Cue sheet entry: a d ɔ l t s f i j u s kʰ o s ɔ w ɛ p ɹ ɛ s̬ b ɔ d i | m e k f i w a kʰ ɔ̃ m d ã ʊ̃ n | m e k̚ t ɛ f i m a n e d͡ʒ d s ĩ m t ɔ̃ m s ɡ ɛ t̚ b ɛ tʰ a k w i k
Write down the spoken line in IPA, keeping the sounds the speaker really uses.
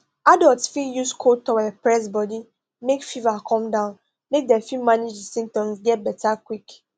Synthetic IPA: a d ɔ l t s f i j u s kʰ o t ɔ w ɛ p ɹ ɛ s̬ b ɔ d i | m e k f i v a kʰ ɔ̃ m d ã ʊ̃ n | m e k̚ d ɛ f i m a n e d͡ʒ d s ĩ m t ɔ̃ m s ɡ ɛ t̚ b ɛ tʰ a k w i k